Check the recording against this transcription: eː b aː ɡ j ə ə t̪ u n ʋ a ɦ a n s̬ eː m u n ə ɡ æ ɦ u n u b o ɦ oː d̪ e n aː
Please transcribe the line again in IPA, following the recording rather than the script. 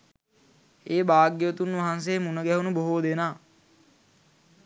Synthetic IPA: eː b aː ɡ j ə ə t̪ u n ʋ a ɦ a n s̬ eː m u n ə ɡ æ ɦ u n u b o ɦ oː d̪ e n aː